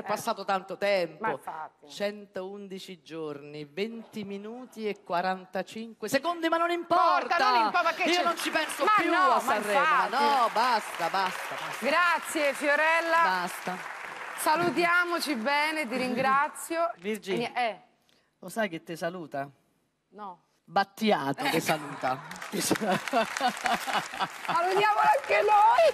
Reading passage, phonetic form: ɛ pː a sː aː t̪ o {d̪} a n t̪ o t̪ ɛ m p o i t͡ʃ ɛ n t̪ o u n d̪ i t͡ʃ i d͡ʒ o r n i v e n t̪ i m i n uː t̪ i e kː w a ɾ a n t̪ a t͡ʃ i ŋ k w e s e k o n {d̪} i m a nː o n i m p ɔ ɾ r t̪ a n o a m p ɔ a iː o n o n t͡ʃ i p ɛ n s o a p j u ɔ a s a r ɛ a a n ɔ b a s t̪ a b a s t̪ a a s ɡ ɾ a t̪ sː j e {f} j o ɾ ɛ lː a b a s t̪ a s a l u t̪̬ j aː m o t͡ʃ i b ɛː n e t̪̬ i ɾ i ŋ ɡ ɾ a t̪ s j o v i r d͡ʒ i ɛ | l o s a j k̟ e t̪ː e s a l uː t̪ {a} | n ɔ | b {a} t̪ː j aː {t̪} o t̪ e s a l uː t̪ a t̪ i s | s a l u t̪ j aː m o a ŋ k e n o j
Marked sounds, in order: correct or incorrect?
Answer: incorrect, correct, correct, correct, correct, correct

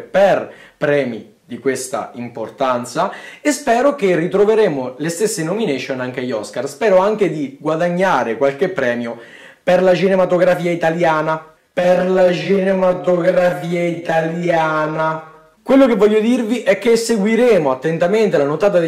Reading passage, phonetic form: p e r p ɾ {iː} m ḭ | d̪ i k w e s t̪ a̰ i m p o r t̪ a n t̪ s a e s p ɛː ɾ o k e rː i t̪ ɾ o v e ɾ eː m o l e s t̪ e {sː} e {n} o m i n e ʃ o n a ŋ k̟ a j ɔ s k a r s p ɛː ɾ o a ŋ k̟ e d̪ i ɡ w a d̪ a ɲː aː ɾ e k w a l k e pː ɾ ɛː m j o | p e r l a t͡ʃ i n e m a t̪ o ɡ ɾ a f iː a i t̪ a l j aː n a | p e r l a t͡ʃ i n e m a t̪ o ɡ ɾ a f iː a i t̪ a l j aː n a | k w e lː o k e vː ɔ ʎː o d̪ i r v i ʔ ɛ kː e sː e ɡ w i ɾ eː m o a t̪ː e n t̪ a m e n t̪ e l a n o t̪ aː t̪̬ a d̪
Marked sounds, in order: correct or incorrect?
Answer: incorrect, correct, correct

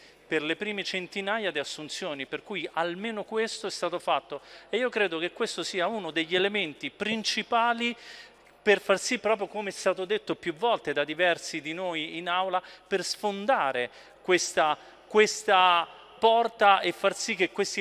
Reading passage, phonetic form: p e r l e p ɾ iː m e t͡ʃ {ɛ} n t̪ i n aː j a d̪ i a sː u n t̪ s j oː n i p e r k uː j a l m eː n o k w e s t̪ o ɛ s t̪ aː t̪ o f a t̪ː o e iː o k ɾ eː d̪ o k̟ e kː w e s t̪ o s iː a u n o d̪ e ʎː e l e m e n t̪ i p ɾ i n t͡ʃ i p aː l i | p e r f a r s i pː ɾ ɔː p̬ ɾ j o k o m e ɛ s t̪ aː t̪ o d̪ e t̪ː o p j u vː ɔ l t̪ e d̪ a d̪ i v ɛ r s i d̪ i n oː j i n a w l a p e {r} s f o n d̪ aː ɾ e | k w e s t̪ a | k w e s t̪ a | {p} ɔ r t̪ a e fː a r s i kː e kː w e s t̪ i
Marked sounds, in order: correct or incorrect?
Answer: incorrect, correct, correct

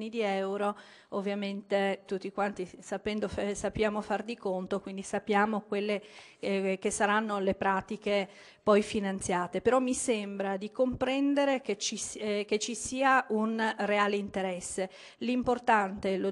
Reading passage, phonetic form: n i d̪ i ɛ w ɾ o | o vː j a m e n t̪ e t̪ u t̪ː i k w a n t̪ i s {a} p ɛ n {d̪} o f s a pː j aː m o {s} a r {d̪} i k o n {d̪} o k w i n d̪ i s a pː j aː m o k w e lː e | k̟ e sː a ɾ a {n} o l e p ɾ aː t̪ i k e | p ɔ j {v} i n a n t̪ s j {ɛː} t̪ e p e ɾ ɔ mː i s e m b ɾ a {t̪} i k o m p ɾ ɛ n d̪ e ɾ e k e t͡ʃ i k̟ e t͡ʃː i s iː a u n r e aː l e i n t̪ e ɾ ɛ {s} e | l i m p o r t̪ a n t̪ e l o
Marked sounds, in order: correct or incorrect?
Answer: correct, correct, incorrect, correct, incorrect, incorrect, incorrect, incorrect, incorrect, incorrect

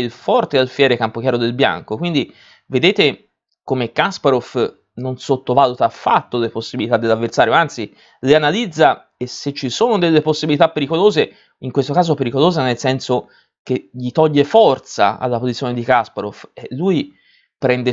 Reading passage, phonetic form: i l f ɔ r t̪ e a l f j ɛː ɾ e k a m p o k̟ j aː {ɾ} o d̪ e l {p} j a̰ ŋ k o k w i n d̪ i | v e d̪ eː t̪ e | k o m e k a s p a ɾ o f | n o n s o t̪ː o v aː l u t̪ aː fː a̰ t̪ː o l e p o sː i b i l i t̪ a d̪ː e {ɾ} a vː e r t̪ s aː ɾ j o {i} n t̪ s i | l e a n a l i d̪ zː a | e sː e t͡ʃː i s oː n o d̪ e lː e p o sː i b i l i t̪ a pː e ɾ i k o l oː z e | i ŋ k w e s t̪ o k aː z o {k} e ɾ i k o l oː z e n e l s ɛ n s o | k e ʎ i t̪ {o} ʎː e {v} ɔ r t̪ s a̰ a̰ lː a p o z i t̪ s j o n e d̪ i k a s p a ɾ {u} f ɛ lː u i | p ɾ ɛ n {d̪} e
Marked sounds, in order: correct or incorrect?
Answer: correct, incorrect, incorrect, incorrect, incorrect, incorrect, incorrect, incorrect, correct

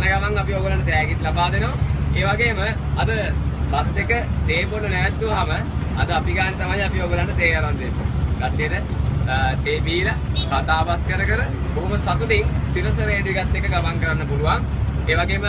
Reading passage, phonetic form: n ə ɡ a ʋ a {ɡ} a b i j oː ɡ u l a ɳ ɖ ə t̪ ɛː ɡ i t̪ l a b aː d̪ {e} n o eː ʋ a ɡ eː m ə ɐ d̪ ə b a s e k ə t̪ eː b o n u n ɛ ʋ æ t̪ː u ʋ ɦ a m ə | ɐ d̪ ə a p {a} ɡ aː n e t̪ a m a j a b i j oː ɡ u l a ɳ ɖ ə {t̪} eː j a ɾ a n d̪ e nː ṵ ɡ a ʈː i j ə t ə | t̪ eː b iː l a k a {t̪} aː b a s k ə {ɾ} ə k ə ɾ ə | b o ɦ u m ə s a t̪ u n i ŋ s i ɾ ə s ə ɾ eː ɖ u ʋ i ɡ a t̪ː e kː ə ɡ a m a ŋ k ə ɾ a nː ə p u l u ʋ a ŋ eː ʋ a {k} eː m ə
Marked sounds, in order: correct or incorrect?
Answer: incorrect, correct, incorrect, correct, correct, correct, incorrect

